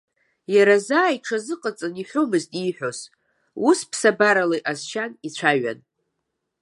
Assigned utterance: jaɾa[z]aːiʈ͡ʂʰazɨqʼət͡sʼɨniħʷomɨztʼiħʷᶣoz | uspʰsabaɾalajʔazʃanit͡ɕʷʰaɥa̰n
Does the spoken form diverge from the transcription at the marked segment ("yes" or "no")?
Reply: no